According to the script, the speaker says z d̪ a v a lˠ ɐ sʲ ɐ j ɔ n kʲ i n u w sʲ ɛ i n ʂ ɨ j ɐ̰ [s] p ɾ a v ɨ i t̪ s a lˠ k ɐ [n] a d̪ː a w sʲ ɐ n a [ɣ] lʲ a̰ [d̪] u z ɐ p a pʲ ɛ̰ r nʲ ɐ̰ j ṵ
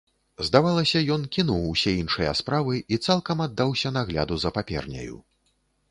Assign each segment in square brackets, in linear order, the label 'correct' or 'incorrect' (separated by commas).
correct, incorrect, correct, correct